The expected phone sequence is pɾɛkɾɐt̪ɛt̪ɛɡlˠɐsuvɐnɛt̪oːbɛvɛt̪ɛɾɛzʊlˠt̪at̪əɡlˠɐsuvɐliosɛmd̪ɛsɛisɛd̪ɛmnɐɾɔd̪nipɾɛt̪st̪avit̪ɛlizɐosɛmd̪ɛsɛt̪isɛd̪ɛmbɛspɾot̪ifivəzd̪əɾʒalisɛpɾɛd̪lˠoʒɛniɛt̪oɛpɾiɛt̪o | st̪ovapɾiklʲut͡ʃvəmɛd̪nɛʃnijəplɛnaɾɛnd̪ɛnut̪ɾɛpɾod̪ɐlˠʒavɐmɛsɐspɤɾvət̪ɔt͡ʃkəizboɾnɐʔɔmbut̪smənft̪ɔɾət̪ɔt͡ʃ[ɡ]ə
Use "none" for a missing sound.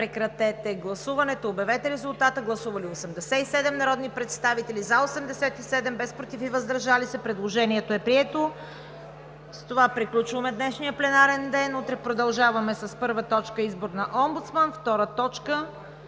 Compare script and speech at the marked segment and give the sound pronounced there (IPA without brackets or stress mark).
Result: k